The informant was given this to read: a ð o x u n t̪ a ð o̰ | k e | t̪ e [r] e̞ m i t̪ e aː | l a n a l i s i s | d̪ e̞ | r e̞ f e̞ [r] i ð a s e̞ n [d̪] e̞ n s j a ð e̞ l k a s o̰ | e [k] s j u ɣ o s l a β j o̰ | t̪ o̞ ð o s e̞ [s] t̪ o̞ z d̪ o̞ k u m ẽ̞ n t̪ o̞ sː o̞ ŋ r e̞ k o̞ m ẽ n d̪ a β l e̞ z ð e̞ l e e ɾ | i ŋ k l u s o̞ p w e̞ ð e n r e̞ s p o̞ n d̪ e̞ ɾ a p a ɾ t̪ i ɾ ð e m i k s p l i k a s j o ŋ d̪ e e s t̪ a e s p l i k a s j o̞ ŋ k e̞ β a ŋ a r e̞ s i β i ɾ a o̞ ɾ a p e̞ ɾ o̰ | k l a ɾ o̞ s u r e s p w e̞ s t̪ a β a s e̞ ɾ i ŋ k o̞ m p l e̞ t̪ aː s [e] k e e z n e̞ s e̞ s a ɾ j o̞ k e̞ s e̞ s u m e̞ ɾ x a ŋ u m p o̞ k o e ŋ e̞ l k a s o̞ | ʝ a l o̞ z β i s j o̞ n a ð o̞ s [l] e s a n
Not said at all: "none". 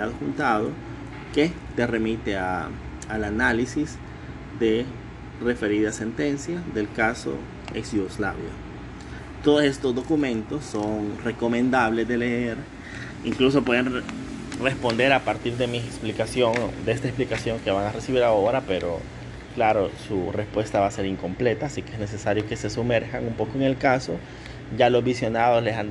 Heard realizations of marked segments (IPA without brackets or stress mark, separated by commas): r, ɾ, t̪, k, s, i, l